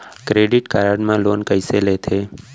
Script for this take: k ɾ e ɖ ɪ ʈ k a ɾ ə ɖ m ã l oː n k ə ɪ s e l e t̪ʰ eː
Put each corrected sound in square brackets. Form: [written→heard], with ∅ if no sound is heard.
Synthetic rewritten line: k ɾ e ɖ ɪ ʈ k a ɾ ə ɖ m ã l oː n k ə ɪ s e l e t̪ʰ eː